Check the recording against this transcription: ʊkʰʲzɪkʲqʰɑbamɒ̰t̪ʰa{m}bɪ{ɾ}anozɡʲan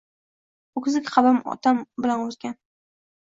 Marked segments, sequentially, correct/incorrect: correct, incorrect: l

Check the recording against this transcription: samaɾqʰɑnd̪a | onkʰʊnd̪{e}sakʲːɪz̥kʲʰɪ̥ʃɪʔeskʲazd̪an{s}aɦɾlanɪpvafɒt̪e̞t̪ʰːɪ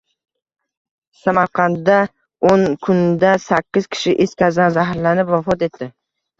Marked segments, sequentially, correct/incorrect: incorrect: a, incorrect: z

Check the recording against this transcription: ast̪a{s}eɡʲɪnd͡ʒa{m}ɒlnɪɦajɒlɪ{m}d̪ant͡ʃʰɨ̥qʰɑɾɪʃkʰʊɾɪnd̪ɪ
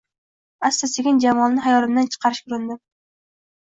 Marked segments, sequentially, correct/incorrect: correct, correct, correct

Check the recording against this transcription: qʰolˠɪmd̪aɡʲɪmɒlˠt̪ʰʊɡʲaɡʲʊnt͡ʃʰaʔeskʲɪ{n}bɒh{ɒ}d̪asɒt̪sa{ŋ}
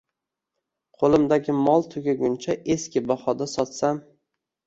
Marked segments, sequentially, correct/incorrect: incorrect: none, correct, incorrect: m

